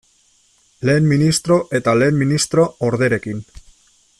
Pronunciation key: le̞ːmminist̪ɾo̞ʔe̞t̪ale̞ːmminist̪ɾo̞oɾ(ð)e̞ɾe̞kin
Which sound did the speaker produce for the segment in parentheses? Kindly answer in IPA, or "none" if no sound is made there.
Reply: ð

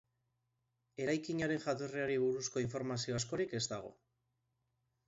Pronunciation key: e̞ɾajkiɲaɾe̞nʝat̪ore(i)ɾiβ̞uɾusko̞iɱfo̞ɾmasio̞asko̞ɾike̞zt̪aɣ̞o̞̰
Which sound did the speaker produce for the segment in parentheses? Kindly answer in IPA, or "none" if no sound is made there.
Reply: a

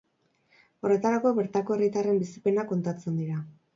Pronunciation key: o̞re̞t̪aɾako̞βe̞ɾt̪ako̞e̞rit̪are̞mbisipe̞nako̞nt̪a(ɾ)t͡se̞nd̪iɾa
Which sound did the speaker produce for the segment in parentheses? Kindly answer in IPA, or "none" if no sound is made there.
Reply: none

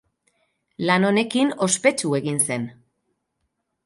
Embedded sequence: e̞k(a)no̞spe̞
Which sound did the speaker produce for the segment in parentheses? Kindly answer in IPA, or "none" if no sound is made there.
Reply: i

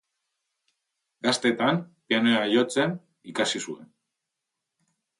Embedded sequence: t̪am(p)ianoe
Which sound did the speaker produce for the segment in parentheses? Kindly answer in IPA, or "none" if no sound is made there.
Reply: p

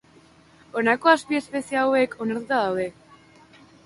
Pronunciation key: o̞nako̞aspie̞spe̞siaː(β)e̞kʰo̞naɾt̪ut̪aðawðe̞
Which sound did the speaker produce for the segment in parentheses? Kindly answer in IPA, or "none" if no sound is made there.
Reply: w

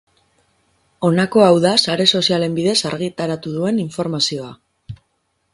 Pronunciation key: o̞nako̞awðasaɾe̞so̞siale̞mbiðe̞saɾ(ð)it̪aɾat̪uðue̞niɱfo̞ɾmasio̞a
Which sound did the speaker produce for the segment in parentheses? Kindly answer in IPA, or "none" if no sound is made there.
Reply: ɣ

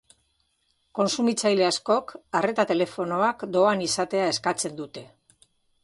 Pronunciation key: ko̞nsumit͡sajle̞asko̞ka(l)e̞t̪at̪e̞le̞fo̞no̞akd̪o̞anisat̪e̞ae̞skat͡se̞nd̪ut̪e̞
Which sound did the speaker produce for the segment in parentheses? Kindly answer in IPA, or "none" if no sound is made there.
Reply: r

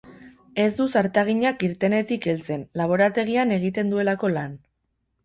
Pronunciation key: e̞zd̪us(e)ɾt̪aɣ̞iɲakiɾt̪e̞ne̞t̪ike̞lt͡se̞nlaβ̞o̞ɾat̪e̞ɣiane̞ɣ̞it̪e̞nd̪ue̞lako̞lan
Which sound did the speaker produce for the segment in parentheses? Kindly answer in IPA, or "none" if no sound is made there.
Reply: a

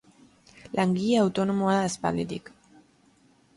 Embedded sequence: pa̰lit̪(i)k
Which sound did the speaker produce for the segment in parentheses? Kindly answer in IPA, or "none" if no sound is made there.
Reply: i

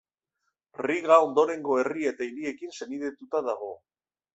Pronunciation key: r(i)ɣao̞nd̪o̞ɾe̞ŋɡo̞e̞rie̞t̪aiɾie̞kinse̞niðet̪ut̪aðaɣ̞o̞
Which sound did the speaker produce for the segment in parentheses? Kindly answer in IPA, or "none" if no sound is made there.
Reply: i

